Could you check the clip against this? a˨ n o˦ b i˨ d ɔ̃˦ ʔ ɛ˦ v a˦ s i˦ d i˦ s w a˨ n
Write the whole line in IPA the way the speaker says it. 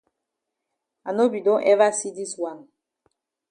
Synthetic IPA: a˨ n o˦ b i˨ d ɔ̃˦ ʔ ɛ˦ v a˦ s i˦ d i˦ s w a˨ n